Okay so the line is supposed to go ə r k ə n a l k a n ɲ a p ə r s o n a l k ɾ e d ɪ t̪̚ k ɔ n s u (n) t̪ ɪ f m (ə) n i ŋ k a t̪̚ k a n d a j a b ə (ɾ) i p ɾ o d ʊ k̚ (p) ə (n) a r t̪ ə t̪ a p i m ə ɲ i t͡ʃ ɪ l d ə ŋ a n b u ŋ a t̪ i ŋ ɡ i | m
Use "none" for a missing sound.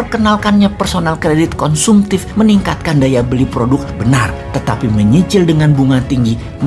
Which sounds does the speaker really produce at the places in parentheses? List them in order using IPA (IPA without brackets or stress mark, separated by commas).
m, ə, l, b, n